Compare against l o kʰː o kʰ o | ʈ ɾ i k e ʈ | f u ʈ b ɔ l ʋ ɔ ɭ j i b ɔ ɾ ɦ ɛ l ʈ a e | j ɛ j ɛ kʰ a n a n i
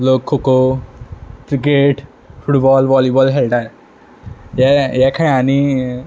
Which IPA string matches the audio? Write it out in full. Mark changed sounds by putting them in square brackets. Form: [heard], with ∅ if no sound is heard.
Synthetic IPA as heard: l o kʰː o [k] o | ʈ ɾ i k e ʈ | f u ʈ b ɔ l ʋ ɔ [l] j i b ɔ [l] ɦ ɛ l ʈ a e | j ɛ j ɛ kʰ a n a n i